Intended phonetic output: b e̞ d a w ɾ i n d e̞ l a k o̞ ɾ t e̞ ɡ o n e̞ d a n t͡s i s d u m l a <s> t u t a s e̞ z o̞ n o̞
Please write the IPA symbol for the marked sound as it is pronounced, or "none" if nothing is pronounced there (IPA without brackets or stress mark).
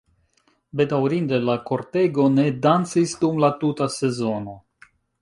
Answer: none